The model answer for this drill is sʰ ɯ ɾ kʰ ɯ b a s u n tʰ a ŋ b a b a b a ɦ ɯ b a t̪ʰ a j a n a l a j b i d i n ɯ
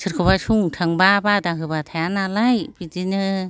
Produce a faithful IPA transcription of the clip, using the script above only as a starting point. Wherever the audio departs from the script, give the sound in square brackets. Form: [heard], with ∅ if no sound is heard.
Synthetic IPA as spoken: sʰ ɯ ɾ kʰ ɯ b a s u [ŋ] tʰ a ŋ b a b a [d] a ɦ ɯ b a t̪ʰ a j a n a l a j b i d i n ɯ